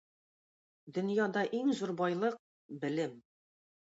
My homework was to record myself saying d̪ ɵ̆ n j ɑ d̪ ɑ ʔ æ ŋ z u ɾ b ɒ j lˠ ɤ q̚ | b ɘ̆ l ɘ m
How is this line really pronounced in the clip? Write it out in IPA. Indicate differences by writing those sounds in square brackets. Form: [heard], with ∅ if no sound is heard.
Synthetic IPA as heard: d̪ ɵ̆ n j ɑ d̪ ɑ ʔ [i] ŋ z u ɾ b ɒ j lˠ ɤ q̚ | b ɘ̆ l ɘ m

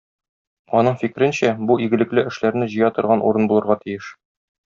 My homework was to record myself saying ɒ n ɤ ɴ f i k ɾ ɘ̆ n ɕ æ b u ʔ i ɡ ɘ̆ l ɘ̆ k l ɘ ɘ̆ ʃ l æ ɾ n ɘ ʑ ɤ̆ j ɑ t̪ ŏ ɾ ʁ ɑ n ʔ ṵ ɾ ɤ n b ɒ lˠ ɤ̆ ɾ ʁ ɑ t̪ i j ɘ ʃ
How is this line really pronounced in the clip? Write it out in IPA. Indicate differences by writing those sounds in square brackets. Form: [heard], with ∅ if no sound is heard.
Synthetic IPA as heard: ɒ n ɤ ɴ f i k ɾ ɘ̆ n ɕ æ b u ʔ i ɡ ɘ̆ l ɘ̆ k l ɘ ɘ̆ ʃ l æ ɾ n ɘ ʑ ɤ̆ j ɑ t̪ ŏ ɾ ʁ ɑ n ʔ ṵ ɾ ɤ n b [u] lˠ ɤ̆ ɾ ʁ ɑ t̪ i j ɘ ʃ

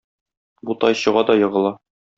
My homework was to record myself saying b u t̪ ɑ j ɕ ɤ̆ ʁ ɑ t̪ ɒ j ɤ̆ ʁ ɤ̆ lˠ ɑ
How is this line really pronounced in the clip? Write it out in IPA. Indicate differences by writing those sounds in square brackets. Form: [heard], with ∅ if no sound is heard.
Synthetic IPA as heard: b u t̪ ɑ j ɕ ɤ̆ ʁ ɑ [d̪] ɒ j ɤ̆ ʁ ɤ̆ lˠ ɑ

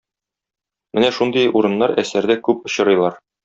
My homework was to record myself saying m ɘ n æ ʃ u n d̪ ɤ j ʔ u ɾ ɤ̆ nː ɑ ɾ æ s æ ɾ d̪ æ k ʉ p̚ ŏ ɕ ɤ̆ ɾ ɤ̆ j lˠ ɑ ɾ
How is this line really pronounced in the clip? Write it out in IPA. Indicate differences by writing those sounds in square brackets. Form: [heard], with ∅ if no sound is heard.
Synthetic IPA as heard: m ɘ n æ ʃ u n d̪ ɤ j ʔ u ɾ ɤ̆ nː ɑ ɾ æ s æ ɾ d̪ æ k ʉ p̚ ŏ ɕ ɤ̆ ɾ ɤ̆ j lˠ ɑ ɾ

